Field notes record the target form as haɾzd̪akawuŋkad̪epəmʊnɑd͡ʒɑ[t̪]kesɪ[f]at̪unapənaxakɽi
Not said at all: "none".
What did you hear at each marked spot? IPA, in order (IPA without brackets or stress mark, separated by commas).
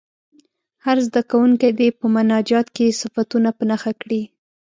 t̪, f